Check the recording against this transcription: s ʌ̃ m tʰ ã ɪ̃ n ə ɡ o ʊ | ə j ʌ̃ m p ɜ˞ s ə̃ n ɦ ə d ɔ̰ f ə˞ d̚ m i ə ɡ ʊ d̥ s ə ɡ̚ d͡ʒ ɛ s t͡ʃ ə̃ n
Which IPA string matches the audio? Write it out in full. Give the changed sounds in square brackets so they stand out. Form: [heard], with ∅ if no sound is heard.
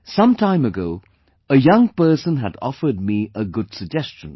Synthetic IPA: s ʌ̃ m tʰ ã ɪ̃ [m] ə ɡ o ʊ | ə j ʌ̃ [ŋ] p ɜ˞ s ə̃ n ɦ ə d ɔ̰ f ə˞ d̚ m i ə ɡ ʊ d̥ s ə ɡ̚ d͡ʒ ɛ s t͡ʃ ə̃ n